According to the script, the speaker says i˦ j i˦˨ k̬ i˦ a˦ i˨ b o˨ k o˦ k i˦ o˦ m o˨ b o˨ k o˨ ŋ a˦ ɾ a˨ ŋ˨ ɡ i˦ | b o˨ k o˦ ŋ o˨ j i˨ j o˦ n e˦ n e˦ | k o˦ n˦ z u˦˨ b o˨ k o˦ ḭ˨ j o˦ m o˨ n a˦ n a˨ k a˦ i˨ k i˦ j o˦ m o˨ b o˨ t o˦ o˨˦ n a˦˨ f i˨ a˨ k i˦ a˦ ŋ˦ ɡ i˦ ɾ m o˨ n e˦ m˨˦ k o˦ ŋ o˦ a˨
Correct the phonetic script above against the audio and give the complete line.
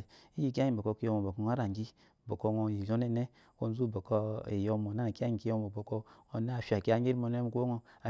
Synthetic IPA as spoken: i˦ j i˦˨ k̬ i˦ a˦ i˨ b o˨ k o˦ k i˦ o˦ m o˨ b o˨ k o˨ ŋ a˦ ɾ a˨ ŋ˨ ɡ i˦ | b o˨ k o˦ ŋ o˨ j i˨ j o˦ n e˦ n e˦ | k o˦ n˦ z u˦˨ b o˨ k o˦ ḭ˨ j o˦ m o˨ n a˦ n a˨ k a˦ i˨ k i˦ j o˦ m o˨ b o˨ k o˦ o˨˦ n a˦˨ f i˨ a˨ k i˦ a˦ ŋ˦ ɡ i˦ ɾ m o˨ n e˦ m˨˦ k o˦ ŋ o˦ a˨